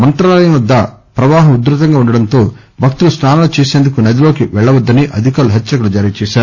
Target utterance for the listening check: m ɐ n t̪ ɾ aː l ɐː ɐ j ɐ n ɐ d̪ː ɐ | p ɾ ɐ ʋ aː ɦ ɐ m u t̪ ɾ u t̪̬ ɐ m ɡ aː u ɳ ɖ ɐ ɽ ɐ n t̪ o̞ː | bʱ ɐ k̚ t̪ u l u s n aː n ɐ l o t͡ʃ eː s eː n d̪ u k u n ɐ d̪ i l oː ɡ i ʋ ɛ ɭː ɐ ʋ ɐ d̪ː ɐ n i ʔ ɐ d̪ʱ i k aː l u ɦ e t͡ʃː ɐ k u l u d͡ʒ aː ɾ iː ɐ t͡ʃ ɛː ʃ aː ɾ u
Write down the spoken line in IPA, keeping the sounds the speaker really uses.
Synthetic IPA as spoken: m ɐ n t̪ ɾ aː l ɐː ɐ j ɐ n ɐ d̪ː ɐ | p ɾ ɐ ʋ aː ɦ ɐ m u d̪ ɾ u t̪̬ ɐ ŋ ɡ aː u ɳ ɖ ɐ ɽ ɐ n t̪ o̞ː | bʱ ɐ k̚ t̪ u l u s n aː n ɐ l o t͡ʃ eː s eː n d̪ u k u n ɐ d̪ i l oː k i ʋ ɛ ɭː ɐ ʋ ɐ d̪ː ɐ n i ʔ ɐ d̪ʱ i k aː l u ɦ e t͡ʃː ɐ k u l u d͡ʒ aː ɾ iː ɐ t͡ʃ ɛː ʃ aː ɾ u